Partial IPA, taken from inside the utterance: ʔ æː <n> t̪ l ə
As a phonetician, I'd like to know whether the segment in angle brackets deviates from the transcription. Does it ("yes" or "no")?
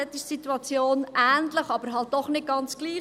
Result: no